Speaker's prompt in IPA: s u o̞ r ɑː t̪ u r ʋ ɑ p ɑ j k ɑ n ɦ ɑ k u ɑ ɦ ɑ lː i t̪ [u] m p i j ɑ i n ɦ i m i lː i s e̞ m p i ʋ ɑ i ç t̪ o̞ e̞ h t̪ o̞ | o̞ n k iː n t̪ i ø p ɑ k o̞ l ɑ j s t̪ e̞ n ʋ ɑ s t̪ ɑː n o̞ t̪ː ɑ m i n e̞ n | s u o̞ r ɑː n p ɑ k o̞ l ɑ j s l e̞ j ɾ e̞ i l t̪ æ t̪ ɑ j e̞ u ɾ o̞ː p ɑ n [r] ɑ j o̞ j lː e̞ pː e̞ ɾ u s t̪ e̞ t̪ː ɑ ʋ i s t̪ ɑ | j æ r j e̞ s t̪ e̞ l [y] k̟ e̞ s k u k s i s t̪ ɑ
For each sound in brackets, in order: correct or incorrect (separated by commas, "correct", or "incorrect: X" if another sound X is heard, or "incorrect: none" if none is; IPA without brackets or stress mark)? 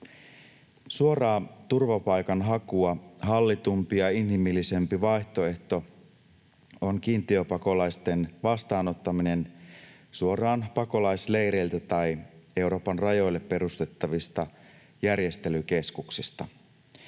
correct, correct, correct